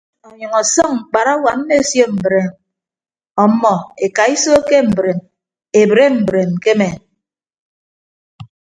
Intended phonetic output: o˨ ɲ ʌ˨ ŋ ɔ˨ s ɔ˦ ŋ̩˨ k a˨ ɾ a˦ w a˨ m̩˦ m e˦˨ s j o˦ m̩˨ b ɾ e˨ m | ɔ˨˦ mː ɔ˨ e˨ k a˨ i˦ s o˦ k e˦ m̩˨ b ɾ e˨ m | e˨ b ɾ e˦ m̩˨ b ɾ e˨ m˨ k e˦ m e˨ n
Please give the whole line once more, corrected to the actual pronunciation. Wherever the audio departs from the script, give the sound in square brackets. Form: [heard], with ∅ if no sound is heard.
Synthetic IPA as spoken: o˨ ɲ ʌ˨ ŋ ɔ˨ s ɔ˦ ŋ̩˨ [k͡p] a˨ ɾ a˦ w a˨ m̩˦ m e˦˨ s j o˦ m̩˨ b ɾ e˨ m | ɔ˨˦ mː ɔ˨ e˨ k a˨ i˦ s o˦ k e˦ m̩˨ b ɾ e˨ m | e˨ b ɾ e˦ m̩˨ b ɾ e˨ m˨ k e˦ m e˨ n